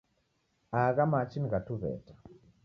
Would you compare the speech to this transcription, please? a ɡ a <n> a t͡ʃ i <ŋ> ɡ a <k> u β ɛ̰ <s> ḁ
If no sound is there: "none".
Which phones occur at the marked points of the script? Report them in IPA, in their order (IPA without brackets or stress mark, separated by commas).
m, n, t, t